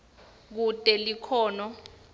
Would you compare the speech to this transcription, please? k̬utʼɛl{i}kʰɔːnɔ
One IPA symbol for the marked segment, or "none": i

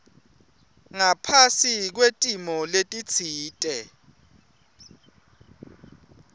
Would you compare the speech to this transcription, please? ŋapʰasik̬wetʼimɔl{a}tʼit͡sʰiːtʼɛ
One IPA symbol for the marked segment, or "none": e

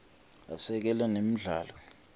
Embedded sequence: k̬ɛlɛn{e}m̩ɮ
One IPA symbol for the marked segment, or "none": e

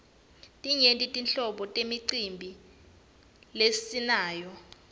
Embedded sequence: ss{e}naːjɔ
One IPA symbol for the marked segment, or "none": i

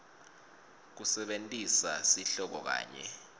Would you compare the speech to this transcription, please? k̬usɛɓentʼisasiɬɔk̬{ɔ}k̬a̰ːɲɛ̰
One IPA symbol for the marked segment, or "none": ɔ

